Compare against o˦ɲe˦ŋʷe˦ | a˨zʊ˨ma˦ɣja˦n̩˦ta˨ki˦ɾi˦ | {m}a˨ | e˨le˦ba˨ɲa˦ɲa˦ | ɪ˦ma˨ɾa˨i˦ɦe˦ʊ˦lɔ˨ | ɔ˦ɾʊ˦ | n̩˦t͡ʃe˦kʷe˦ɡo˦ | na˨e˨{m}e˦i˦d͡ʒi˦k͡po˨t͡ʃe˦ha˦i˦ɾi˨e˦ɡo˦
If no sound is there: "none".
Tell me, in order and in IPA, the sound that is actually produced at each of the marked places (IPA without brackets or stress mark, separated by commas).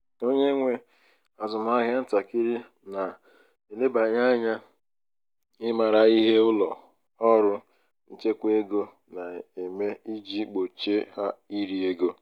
n, m